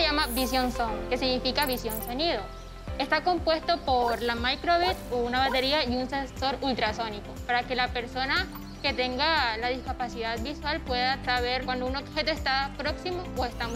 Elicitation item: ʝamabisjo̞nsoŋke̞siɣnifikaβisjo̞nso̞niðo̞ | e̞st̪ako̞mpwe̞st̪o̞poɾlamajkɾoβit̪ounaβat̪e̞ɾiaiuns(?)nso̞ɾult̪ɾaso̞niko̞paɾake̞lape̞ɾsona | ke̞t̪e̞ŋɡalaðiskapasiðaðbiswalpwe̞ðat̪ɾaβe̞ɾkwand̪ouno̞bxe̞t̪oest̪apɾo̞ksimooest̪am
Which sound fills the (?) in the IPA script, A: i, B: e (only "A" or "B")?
B